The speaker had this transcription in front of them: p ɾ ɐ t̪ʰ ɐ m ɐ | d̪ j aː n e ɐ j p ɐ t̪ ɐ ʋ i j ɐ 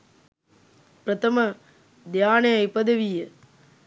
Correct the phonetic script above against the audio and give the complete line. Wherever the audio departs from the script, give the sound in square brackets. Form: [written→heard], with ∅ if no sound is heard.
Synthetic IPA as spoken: p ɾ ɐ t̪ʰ ɐ m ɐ | d̪ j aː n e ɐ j p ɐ [t̪→d̪] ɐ ʋ i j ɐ